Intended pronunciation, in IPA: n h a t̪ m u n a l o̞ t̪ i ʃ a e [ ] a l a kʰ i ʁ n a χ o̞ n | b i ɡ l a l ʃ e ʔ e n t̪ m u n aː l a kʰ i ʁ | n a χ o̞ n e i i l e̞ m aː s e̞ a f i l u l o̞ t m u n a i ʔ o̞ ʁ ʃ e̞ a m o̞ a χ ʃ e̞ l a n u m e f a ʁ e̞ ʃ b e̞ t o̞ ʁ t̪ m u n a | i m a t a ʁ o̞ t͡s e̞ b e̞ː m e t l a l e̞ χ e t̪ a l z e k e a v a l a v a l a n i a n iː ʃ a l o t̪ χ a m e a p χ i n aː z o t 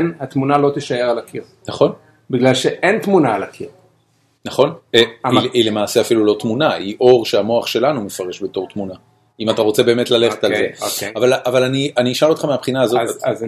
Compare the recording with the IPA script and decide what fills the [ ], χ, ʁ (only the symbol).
ʁ